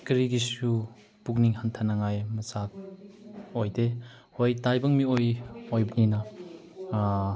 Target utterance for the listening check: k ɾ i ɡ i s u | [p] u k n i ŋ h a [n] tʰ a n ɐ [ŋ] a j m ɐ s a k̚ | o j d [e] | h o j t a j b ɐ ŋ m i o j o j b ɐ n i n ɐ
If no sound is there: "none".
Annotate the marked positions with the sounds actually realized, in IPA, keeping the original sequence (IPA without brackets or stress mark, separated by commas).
p, n, ŋ, e